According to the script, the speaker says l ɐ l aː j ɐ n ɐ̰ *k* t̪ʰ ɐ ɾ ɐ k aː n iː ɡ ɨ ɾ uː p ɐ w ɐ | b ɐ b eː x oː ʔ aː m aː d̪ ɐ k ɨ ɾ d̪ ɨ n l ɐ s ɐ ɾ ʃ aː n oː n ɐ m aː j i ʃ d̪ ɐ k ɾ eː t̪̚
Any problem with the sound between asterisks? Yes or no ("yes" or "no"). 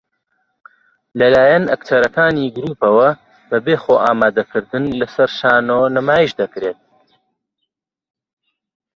no